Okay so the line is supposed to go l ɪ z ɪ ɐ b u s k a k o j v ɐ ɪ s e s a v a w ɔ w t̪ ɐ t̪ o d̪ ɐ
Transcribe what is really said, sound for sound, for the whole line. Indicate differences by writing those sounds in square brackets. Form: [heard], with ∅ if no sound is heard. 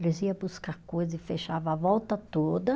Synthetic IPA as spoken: l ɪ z [i] ɐ b u s k a k o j [z] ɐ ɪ [f] e [ʃ] a v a [v] ɔ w t̪ ɐ t̪ o d̪ ɐ

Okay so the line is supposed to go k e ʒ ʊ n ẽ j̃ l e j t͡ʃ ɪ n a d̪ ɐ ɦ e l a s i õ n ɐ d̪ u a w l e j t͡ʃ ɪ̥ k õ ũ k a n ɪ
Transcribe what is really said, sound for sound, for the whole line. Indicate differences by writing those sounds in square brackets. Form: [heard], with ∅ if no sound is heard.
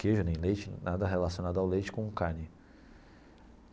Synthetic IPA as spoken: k e ʒ ʊ n ẽ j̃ l e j t͡ʃ ɪ n a d̪ ɐ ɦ e l a s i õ n [a] d̪ [ʊ] a w l e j t͡ʃ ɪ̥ k õ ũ k a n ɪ

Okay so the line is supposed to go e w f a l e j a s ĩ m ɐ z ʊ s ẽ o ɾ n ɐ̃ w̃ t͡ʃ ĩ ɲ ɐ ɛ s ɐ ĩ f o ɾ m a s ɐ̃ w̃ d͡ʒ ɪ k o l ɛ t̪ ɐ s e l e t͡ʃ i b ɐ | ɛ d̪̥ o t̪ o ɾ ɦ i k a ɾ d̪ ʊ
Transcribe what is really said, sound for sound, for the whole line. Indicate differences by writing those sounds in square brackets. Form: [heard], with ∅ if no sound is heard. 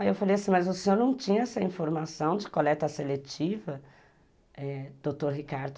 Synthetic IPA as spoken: e w f a l e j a s ĩ m ɐ z ʊ s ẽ o ɾ n ɐ̃ w̃ t͡ʃ ĩ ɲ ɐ ɛ s ɐ ĩ f o ɾ m a s ɐ̃ w̃ d͡ʒ ɪ k o l ɛ t̪ ɐ s e l e t͡ʃ i [v] ɐ | ɛ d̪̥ o t̪ o ɾ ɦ i k a ɾ d̪ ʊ

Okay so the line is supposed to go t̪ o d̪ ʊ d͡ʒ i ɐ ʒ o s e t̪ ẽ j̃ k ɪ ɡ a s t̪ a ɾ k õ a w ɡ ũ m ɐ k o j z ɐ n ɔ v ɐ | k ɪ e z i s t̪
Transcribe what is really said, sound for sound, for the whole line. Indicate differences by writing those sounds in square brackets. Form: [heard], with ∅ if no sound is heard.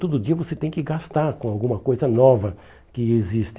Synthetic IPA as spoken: t̪ o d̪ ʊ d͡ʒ i ɐ [v] o s e t̪ ẽ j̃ k ɪ ɡ a s t̪ a ɾ k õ a w ɡ ũ m ɐ k o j z ɐ n ɔ v ɐ | k ɪ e z i s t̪

